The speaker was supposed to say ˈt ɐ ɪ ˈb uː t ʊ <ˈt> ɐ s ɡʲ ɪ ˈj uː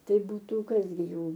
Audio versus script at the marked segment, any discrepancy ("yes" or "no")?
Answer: yes